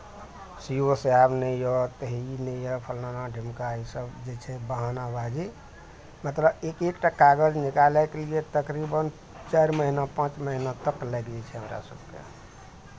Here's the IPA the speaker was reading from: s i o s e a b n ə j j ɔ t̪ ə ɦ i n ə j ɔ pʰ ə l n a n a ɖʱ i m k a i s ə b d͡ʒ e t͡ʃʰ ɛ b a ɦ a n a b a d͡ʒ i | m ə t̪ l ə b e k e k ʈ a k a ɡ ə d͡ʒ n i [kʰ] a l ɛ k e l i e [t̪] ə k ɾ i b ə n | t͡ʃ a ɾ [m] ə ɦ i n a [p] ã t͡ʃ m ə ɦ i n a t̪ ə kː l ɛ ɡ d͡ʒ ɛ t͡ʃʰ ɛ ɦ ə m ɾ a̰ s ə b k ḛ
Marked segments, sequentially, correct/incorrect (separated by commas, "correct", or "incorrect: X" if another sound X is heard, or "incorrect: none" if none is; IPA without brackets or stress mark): incorrect: k, correct, correct, correct